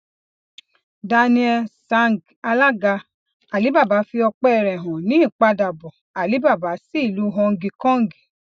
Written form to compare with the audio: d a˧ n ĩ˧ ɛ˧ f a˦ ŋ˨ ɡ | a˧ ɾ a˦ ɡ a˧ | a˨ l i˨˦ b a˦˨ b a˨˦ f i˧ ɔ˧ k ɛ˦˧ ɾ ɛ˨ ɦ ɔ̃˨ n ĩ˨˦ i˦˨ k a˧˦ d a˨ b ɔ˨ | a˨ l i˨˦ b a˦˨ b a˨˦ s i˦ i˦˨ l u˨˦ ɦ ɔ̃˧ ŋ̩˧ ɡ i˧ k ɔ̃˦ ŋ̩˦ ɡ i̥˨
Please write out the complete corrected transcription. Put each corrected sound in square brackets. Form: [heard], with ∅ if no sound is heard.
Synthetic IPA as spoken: d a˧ n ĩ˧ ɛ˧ [s] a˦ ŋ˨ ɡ | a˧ [l] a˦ ɡ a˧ | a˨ l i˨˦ b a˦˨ b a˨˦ f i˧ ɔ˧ [k͡p] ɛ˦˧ ɾ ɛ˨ ɦ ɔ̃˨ n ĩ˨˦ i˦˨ [k͡p] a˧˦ d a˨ b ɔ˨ | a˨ l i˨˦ b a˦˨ b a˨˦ s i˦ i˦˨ l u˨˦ ɦ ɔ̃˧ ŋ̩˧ ɡ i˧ k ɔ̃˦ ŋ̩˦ ɡ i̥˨